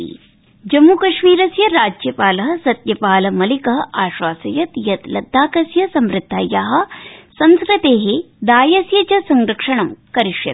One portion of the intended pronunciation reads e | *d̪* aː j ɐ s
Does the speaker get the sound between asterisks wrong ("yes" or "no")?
no